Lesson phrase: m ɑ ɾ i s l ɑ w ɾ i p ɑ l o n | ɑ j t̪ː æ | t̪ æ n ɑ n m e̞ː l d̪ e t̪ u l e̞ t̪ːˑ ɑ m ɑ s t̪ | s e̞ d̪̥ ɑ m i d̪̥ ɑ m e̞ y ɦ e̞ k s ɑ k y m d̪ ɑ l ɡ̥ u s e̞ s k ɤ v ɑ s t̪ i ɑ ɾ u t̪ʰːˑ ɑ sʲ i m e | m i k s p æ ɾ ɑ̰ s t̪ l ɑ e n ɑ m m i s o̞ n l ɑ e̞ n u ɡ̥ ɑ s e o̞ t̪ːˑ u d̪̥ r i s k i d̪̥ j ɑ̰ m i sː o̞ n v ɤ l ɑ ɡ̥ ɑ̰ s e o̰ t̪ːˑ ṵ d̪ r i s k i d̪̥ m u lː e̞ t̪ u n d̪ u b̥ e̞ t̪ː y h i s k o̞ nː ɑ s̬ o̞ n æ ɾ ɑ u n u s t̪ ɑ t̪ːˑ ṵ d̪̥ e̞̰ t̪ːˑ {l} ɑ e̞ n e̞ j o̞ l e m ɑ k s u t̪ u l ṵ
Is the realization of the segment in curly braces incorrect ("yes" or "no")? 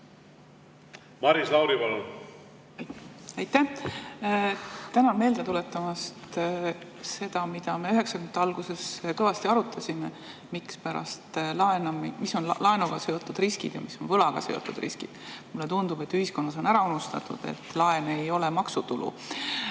no